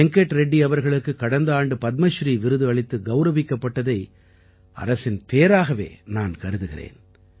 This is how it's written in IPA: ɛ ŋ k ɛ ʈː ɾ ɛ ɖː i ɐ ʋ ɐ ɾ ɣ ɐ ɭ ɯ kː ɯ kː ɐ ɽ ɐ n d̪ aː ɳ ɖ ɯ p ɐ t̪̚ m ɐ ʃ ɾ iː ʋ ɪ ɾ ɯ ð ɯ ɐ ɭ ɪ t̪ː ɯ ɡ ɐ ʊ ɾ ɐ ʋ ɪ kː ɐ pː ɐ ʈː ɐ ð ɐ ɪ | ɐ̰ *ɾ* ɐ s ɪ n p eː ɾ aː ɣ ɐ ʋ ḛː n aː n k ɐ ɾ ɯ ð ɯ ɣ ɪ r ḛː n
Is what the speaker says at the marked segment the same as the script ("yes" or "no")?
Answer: yes